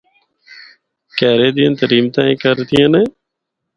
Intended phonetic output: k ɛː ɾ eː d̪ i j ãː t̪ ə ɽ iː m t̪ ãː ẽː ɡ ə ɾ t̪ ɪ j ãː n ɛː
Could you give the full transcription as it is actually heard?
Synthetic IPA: k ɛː ɾ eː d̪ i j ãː t̪ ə ɾ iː m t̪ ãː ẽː k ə ɾ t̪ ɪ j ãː n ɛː